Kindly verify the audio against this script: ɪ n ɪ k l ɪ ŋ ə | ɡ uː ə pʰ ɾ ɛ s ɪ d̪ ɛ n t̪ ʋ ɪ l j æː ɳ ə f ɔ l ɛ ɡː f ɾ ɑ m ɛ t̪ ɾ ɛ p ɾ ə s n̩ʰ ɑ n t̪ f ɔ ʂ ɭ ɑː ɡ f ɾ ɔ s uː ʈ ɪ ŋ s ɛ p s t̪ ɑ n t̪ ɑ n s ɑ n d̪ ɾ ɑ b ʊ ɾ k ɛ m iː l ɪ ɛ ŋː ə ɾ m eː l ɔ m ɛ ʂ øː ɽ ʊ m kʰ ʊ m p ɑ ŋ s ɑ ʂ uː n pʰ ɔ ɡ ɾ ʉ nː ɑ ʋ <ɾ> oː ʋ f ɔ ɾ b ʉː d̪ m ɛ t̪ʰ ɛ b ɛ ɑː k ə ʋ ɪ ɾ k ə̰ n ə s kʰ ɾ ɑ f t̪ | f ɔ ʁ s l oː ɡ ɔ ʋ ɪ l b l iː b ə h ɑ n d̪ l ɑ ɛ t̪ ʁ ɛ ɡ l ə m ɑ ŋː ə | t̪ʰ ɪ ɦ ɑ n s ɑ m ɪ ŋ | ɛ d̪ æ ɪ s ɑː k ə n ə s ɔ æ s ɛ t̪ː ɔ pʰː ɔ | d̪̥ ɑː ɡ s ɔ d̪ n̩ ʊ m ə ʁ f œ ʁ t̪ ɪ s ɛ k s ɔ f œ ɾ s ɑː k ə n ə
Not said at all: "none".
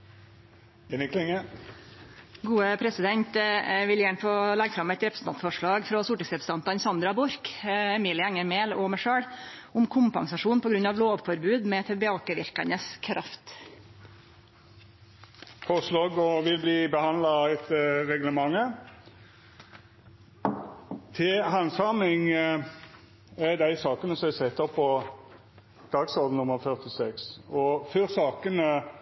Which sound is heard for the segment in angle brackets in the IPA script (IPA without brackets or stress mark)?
l